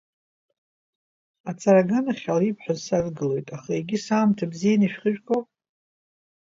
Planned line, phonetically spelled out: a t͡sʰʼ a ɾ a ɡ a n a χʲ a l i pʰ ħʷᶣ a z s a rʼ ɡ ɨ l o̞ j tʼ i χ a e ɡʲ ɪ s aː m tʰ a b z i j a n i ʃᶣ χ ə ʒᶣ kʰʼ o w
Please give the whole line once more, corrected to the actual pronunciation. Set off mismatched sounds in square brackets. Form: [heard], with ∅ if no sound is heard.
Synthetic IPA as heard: a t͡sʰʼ a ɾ a ɡ a n a χʲ a l i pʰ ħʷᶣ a z s a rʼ ɡ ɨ l o̞ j tʼ [a] χ a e ɡʲ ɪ s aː m tʰ a b z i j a n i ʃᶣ χ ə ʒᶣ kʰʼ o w